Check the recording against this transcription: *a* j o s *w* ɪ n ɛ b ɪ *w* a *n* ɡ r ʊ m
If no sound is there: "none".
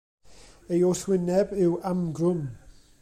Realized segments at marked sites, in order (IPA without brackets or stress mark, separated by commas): e, w, w, m